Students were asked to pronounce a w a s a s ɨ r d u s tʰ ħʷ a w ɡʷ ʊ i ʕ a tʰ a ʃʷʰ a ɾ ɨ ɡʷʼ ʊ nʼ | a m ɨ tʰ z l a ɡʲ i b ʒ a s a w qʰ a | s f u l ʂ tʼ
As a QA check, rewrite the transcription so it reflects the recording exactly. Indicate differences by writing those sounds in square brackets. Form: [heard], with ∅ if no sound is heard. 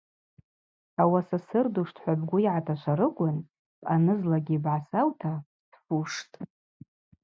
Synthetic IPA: a w a s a s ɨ r d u [ʂ] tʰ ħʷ a [b] ɡʷ ʊ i ʕ a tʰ a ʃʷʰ a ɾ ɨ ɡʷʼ ʊ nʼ | a [n] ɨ [∅] z l a ɡʲ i b [ʕ] a s a w [tʰ] a | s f u [∅] ʂ tʼ